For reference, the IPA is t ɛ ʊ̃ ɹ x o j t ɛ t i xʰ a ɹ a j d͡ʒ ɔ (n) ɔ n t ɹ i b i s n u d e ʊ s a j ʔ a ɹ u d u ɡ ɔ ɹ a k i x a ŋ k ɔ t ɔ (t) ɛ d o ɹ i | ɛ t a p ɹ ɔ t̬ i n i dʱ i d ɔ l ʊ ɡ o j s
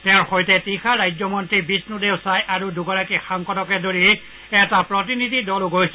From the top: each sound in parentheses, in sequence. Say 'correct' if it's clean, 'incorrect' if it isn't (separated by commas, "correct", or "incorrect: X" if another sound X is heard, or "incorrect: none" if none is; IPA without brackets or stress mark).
incorrect: m, incorrect: k